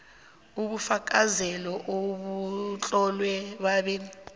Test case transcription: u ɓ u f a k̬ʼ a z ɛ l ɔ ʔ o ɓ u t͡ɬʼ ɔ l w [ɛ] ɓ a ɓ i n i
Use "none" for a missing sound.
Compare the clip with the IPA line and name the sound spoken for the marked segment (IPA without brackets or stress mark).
ɛ